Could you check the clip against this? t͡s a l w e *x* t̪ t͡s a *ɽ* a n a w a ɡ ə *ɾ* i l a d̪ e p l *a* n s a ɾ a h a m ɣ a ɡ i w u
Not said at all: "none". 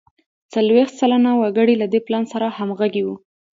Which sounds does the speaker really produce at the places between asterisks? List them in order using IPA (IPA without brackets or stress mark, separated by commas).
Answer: x, l, ɽ, ɑ